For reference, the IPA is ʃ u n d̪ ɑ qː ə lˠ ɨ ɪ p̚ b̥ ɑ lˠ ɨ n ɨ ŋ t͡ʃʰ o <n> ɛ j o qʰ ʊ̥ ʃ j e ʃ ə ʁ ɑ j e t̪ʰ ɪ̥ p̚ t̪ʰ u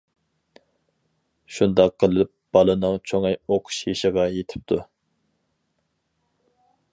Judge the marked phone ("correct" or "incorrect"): incorrect